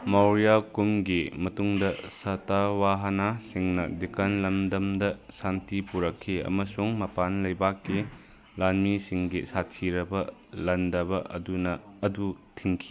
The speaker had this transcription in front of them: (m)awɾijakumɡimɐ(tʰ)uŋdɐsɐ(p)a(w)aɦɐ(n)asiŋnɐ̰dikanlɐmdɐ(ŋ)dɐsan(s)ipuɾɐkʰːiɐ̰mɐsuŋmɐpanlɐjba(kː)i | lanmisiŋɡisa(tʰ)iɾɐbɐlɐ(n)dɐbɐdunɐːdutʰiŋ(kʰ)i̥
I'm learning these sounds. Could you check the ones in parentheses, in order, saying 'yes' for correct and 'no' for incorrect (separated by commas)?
yes, no, no, yes, yes, no, no, yes, yes, yes, yes